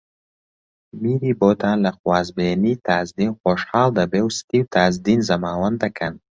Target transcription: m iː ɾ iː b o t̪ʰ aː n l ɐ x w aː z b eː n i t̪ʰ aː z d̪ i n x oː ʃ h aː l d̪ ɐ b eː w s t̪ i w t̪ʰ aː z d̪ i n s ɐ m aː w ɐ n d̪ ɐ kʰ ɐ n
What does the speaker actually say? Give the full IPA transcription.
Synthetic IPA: m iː ɾ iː b o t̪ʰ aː n l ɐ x w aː z b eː n i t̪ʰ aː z d̪ i n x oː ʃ h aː l d̪ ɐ b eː w s t̪ i w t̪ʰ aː z d̪ i n z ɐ m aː w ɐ n d̪ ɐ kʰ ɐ n